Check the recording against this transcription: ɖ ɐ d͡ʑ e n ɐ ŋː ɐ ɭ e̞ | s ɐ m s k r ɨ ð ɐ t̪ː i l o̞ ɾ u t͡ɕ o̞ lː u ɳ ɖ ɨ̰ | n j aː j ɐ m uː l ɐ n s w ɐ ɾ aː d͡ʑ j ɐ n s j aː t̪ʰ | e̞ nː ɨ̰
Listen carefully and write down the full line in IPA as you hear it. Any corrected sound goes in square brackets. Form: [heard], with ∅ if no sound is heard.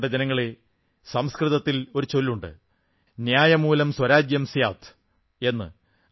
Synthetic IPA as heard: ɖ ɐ d͡ʑ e n ɐ ŋː ɐ ɭ e̞ | s ɐ m s k r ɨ ð ɐ t̪ː i l o̞ ɾ u t͡ɕ o̞ lː u ɳ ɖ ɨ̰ | n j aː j ɐ m uː l ɐ [m] s w ɐ ɾ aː d͡ʑ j ɐ [m] s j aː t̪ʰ | e̞ nː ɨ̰